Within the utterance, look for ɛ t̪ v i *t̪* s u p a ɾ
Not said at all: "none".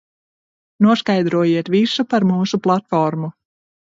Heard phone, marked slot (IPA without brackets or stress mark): none